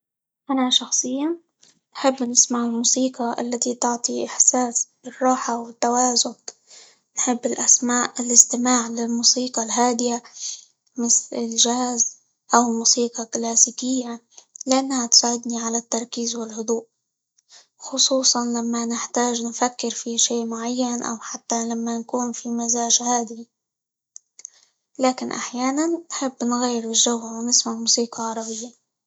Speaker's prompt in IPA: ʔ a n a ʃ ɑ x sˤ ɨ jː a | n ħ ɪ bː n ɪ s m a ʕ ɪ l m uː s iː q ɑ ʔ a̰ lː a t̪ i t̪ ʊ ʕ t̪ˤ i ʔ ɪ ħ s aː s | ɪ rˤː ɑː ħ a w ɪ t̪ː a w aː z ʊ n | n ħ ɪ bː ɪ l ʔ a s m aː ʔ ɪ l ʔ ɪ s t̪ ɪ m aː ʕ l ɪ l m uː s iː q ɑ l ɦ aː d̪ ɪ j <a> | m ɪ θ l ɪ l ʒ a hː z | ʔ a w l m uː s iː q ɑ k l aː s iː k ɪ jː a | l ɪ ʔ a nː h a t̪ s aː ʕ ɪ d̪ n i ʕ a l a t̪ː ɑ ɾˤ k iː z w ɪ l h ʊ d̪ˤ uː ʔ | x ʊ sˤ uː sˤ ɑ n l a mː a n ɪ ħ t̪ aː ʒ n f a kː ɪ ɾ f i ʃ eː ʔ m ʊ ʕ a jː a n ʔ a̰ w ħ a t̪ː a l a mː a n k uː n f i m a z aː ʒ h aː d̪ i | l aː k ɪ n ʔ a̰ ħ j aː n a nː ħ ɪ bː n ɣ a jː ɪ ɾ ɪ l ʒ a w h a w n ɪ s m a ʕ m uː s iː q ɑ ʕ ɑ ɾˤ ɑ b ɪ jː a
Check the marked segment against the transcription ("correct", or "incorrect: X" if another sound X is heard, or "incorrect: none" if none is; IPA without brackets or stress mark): correct